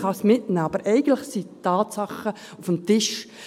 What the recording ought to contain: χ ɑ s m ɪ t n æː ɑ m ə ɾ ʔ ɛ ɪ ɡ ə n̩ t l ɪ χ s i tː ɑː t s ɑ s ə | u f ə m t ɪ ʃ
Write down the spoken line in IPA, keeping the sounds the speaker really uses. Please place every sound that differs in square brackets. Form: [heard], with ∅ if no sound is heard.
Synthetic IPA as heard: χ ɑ s m ɪ t n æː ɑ [b] ə ɾ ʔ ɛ ɪ ɡ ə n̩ t l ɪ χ s i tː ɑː t s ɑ [χ] ə | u f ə m t ɪ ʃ